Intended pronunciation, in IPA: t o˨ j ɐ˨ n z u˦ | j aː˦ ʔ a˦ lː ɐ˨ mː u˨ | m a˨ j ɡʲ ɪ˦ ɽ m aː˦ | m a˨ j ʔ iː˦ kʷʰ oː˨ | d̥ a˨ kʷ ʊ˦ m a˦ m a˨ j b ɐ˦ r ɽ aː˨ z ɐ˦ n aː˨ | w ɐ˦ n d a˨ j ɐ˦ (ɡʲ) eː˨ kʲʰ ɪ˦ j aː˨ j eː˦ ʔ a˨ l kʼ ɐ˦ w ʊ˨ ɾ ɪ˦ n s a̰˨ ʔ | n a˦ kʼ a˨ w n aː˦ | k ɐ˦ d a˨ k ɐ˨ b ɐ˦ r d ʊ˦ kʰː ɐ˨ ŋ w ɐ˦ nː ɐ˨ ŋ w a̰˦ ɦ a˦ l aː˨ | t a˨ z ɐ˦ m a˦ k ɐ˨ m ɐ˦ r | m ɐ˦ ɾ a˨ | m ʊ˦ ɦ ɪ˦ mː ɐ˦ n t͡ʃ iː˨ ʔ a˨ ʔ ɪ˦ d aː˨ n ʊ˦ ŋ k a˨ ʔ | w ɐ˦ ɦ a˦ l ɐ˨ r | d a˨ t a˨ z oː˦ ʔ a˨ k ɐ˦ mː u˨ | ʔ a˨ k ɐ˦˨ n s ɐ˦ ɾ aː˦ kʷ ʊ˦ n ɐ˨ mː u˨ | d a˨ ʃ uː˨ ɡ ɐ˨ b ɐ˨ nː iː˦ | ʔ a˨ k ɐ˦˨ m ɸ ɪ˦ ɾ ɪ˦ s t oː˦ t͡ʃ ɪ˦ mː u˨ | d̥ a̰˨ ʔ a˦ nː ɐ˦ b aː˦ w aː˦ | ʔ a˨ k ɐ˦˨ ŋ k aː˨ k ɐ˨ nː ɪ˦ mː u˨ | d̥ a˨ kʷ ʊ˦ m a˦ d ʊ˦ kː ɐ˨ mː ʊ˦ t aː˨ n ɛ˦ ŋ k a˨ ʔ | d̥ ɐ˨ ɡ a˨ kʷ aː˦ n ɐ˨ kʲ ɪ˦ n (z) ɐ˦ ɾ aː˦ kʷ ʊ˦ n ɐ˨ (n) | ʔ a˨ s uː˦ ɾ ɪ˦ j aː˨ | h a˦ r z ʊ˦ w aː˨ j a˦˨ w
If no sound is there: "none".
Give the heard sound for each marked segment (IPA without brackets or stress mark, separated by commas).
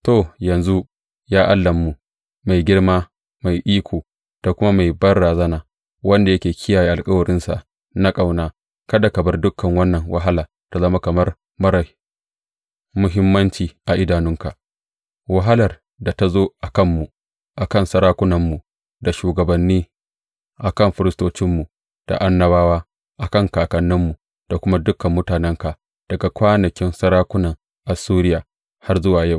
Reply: kʲ, s, ŋ